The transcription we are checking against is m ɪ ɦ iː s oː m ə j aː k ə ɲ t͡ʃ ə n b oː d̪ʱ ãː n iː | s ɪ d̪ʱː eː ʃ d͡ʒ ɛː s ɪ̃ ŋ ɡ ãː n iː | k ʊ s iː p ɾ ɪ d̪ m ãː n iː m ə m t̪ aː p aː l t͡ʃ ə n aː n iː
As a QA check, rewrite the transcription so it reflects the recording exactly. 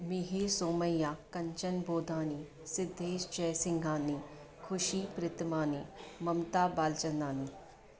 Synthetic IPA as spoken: m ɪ ɦ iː s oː m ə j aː k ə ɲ t͡ʃ ə n b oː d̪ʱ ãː n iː | s ɪ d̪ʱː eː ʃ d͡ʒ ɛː s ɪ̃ ŋ ɡ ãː n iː | kʰ ʊ ʃ iː p ɾ ɪ t̪ m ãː n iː m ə m t̪ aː b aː l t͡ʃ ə n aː n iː